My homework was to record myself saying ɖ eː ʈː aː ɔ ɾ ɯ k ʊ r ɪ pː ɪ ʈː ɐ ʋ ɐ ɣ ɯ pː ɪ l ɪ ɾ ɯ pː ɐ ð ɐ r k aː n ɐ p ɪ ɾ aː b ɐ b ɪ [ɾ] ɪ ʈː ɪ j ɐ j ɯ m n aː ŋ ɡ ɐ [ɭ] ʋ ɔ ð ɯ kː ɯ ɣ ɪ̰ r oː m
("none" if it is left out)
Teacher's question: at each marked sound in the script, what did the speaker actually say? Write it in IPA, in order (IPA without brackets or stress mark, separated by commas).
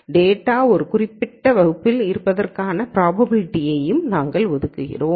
l, ɭ